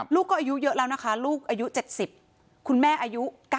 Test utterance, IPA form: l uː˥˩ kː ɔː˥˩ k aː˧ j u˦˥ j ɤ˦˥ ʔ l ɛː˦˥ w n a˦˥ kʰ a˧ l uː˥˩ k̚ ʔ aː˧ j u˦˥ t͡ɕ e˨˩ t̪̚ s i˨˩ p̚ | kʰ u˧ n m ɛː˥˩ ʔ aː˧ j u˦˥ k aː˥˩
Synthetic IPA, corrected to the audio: l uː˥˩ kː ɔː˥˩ ʔ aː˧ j u˦˥ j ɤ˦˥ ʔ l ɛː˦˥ w n a˦˥ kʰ a˦˥ l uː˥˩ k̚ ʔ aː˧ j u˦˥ t͡ɕ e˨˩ t̪̚ s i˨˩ p̚ | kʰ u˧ n m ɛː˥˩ ʔ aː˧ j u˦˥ k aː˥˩